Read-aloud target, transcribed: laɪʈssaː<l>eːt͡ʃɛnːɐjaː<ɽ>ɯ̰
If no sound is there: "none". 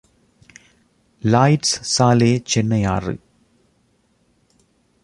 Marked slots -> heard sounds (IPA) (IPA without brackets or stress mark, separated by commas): l, r